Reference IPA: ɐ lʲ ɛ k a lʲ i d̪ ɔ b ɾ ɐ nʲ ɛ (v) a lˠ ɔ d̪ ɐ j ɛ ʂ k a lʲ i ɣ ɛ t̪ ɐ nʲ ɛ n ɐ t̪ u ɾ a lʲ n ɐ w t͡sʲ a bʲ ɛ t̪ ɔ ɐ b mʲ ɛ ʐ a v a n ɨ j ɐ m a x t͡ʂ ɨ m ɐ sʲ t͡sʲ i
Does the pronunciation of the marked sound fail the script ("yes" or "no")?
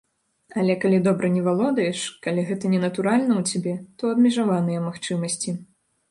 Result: no